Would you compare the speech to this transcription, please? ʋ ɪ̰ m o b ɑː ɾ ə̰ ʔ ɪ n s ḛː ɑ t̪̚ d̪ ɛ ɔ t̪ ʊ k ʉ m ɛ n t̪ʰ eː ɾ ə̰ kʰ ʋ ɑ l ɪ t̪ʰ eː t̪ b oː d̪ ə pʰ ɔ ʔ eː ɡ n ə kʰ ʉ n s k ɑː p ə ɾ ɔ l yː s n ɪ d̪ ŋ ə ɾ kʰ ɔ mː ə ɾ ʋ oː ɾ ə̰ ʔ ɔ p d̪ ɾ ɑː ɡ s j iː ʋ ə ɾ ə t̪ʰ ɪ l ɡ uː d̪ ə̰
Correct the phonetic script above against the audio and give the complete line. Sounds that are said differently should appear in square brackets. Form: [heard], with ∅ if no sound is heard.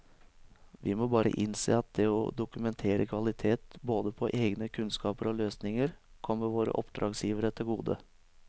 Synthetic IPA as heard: ʋ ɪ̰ m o b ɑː ɾ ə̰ ʔ ɪ n s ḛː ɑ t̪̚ d̪ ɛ ɔ [d̪] ʊ k ʉ m ɛ n t̪ʰ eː ɾ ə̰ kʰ ʋ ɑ l ɪ t̪ʰ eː t̪ b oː d̪ ə pʰ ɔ ʔ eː ɡ n ə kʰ ʉ n s k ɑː p ə ɾ ɔ l [øː] s n ɪ [∅] ŋ ə ɾ kʰ ɔ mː ə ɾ ʋ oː ɾ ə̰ ʔ ɔ p d̪ ɾ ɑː ɡ s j iː ʋ ə ɾ ə t̪ʰ ɪ l ɡ uː d̪ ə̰